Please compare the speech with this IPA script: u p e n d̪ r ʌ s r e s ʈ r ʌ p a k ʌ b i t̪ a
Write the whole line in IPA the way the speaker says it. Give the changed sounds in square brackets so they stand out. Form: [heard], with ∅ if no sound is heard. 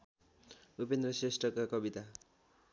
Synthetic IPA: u p e n d̪ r ʌ s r e s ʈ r ʌ [k] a k ʌ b i t̪ a

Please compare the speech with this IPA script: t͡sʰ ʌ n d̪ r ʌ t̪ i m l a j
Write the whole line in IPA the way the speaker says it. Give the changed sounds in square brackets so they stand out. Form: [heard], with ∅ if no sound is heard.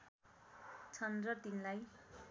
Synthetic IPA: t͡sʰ ʌ n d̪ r ʌ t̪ i [n] l a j

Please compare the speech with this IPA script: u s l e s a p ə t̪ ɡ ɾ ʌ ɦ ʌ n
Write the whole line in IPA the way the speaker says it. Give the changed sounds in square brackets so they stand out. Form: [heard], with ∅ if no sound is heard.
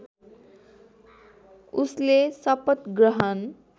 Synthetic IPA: u s l e s [ʌ] p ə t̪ ɡ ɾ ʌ ɦ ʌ n

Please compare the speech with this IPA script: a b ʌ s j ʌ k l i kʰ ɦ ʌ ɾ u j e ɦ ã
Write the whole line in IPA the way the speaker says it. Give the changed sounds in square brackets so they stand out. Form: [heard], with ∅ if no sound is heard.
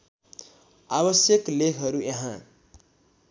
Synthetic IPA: a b ʌ s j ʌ k l [e] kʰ ɦ ʌ ɾ u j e ɦ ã

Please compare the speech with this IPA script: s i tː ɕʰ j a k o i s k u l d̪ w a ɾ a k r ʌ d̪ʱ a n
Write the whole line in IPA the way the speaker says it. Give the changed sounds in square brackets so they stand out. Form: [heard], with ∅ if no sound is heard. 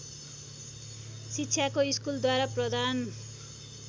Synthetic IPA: s i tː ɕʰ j a k o i s k u l d̪ w a ɾ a [p] r ʌ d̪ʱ a n

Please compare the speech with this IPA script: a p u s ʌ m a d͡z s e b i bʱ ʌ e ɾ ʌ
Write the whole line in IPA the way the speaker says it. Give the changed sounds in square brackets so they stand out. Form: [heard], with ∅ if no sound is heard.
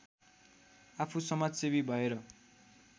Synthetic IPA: a [pʰ] u s ʌ m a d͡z s e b i bʱ ʌ e ɾ ʌ

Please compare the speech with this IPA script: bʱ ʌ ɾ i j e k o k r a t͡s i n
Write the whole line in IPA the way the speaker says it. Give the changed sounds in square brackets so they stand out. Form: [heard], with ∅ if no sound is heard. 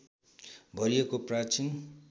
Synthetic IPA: bʱ ʌ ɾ i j e k o [p] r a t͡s i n

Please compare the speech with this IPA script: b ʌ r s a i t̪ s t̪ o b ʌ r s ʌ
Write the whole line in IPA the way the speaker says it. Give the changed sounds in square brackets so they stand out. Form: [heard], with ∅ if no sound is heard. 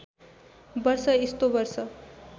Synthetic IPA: b ʌ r s [ʌ] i [∅] s t̪ o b ʌ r s ʌ

